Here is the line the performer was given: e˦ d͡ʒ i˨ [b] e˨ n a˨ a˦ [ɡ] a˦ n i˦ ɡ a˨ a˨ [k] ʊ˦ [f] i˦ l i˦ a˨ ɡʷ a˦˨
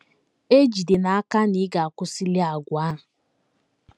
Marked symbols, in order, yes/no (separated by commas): no, no, yes, no